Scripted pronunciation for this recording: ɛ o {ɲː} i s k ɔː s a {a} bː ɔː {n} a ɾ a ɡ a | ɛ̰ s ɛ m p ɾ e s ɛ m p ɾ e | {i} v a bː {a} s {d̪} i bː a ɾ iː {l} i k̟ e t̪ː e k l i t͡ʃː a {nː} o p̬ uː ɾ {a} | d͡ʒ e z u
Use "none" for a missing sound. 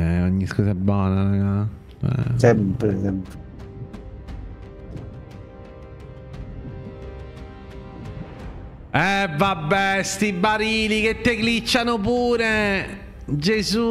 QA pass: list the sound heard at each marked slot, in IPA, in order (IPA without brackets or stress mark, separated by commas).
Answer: ɲː, ɛ, n, ɛ, ɛ, t̪, l, n, e